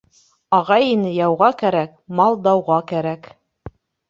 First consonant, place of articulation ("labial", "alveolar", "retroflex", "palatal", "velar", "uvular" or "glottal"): uvular